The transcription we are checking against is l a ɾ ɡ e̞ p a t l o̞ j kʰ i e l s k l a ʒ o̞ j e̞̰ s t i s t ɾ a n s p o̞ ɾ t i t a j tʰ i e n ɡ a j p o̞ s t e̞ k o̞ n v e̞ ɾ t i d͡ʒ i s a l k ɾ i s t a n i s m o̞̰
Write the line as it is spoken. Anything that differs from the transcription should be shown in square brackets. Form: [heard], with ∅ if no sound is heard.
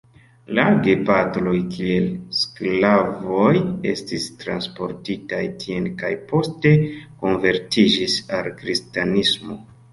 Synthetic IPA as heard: l a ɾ ɡ e̞ p a t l o̞ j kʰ i e l s k l a [v] o̞ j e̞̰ s t i s t ɾ a n s p o̞ ɾ t i t a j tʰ i e n [k] a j p o̞ s t e̞ k o̞ n v e̞ ɾ t i d͡ʒ i s a l k ɾ i s t a n i s m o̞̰